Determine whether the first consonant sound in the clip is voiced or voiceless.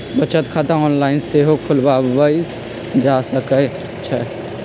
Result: voiced